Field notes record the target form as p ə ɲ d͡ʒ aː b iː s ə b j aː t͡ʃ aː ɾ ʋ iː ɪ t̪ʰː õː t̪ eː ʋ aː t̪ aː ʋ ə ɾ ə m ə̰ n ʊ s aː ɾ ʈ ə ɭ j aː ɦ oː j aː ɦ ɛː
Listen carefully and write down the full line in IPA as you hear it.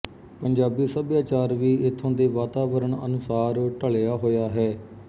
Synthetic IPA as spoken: p ə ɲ d͡ʒ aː b iː s ə b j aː t͡ʃ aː ɾ ʋ iː ɪ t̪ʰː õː d̪ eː ʋ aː t̪ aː ʋ ə ɾ ə ɳ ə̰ n ʊ s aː ɾ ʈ ə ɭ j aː ɦ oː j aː ɦ ɛː